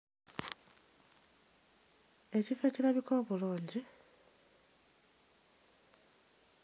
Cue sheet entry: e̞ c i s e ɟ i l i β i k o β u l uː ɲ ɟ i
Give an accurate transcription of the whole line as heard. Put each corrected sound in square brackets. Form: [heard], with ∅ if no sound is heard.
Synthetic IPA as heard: e̞ c i [f] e [c] i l [a] β i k o β u l uː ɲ ɟ i